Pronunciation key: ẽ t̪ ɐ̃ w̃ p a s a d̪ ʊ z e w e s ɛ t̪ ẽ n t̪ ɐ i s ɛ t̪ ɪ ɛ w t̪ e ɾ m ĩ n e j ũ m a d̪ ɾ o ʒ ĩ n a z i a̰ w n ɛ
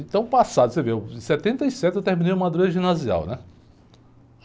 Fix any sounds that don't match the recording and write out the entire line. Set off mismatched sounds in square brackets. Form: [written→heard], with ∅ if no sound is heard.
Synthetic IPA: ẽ t̪ ɐ̃ w̃ p a s a d̪ ʊ [z→s] e [w→v] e s ɛ t̪ ẽ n t̪ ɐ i s ɛ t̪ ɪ [ɛ→e] w t̪ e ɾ m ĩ n e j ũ m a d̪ ɾ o ʒ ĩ n a z i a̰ w n ɛ